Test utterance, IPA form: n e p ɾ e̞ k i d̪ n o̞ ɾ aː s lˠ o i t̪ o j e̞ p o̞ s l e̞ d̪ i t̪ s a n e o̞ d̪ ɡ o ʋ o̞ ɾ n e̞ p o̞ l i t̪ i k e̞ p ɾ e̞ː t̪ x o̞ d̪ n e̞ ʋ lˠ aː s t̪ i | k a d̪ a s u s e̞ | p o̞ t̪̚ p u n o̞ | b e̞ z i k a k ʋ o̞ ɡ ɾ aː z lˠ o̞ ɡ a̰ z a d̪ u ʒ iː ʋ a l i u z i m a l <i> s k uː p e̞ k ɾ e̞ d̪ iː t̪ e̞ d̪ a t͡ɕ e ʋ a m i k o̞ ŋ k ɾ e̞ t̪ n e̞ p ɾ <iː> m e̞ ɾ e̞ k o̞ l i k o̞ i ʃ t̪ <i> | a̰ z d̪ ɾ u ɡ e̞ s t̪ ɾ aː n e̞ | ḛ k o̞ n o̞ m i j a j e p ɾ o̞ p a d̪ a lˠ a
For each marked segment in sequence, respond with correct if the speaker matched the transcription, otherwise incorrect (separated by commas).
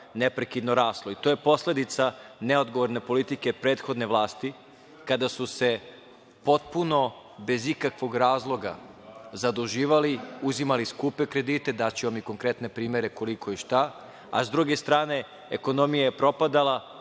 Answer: correct, correct, incorrect